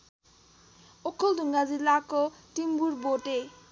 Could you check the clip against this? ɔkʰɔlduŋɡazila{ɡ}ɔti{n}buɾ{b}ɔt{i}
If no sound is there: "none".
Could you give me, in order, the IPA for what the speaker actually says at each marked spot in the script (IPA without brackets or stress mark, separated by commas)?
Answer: k, m, b, e